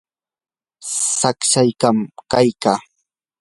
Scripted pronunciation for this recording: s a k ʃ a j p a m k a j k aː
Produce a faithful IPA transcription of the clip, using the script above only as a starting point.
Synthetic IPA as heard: s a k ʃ a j k a m k a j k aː